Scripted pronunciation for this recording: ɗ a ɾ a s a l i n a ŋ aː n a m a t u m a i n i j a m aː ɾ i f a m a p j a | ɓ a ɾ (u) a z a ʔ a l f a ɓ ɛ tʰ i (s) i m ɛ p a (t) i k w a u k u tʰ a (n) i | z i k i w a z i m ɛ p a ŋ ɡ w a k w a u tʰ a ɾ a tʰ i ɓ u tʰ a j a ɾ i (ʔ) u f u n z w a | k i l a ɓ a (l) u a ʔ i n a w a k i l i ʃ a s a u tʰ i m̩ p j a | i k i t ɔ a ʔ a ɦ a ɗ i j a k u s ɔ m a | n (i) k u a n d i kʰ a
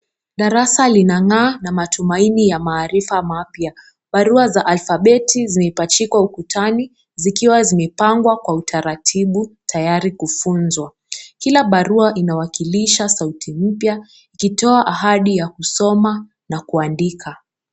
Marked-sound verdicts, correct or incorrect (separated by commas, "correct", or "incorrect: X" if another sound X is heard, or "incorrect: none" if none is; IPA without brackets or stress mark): correct, incorrect: z, incorrect: t͡ʃ, correct, incorrect: k, incorrect: ɾ, incorrect: a